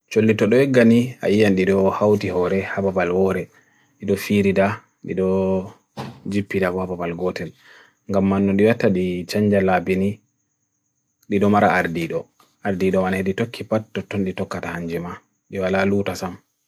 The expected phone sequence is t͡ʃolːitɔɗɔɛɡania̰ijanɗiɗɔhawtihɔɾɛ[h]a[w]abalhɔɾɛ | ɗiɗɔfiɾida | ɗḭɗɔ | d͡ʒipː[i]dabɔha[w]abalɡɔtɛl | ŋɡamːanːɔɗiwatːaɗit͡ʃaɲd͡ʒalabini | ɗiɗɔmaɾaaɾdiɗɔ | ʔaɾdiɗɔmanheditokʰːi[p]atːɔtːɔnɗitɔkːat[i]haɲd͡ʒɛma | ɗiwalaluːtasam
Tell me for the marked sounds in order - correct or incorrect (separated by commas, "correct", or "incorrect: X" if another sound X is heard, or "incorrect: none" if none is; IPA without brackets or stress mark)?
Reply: correct, incorrect: b, correct, incorrect: b, correct, incorrect: a